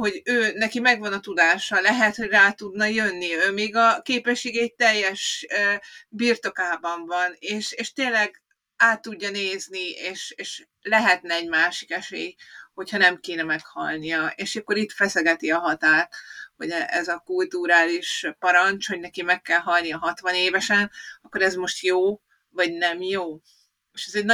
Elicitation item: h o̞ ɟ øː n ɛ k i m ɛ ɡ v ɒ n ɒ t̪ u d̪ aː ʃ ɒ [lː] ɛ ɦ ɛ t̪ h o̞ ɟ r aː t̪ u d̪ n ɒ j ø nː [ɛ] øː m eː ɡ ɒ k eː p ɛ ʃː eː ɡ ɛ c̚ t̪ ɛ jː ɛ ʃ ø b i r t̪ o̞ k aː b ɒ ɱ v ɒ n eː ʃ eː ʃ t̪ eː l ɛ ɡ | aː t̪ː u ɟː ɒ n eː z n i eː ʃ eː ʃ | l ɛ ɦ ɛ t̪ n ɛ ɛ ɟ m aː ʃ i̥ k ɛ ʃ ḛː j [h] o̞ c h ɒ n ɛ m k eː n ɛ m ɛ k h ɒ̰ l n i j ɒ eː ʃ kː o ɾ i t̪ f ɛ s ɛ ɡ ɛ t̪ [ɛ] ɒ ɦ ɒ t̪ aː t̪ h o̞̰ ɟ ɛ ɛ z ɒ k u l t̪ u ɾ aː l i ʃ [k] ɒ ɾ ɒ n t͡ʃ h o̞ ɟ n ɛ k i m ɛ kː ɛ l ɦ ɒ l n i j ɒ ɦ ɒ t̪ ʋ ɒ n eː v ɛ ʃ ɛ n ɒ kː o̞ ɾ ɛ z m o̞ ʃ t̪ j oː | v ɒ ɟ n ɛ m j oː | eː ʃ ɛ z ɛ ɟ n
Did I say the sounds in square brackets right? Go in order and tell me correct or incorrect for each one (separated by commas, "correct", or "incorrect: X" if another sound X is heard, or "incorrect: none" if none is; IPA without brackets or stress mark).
incorrect: l, incorrect: i, correct, incorrect: i, incorrect: p